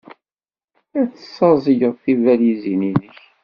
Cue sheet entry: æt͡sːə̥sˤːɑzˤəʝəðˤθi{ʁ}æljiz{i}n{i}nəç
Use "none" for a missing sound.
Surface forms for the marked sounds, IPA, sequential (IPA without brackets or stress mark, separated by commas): v, i, i